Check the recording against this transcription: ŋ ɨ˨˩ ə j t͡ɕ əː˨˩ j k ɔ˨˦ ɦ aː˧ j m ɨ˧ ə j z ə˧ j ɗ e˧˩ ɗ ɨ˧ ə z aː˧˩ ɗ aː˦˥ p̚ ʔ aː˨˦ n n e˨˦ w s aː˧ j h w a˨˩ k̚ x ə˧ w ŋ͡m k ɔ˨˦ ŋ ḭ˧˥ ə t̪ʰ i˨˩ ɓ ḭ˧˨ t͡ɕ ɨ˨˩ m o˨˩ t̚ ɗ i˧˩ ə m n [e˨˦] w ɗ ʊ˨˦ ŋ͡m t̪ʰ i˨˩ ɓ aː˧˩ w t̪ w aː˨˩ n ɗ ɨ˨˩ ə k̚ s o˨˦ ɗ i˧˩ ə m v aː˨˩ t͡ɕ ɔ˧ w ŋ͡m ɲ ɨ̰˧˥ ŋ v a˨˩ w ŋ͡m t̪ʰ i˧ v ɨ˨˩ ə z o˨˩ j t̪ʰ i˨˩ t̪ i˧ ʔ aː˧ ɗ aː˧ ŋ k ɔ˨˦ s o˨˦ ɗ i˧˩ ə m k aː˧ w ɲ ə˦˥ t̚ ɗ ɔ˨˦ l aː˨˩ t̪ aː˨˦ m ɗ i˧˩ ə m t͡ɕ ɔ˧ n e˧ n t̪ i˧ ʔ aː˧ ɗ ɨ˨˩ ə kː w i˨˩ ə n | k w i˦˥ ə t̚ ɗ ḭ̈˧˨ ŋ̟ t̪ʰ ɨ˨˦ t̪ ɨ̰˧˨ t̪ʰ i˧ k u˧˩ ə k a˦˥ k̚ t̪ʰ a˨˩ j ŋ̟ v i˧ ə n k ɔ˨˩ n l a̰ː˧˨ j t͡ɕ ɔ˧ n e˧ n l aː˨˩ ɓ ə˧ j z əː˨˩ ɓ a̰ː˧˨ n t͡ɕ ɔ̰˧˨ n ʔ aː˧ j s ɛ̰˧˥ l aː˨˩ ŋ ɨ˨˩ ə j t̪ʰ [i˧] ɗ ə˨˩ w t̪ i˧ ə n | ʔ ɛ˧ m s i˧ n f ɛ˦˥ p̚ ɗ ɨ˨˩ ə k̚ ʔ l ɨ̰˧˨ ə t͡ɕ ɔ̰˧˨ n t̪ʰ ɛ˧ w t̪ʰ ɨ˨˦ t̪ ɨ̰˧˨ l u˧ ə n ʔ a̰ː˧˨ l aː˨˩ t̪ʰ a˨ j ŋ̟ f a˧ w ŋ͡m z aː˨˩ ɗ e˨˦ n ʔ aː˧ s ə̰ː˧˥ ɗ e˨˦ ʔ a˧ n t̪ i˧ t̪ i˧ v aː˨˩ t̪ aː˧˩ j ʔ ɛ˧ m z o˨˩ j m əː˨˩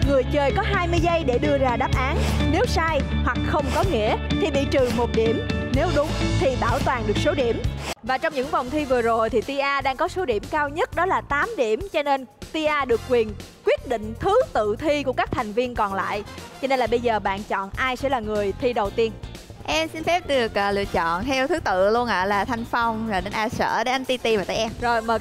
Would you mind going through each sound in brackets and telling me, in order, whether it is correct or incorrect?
correct, correct

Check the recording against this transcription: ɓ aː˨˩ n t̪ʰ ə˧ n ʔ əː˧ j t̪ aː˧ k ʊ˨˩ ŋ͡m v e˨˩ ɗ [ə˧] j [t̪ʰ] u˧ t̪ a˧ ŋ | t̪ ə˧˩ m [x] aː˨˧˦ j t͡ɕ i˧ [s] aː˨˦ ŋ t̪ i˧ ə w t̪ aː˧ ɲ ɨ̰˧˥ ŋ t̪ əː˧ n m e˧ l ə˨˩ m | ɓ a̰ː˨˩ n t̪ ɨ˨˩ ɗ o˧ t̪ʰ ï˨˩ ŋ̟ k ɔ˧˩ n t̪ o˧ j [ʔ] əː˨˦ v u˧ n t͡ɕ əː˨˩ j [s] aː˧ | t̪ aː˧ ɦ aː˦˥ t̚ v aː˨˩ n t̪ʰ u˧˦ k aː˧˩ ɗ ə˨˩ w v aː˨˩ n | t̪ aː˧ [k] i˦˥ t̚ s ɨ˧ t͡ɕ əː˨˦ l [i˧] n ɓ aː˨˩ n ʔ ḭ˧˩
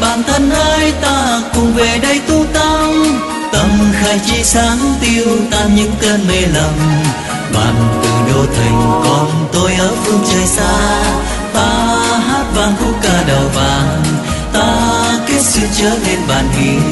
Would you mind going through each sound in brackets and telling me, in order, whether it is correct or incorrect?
correct, incorrect: t̪, correct, correct, correct, correct, correct, incorrect: e˧

